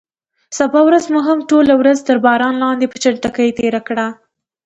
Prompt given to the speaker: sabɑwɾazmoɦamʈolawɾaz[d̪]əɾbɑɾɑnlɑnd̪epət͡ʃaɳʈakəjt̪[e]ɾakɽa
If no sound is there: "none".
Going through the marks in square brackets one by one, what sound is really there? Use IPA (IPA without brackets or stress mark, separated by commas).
t̪, e